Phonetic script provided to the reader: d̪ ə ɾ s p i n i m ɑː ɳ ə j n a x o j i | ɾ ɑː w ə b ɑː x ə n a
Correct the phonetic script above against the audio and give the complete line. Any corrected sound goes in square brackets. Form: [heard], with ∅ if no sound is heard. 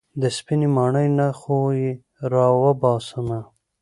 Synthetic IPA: d̪ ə [∅] s p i n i m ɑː ɳ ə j n a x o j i | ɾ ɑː w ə b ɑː [s] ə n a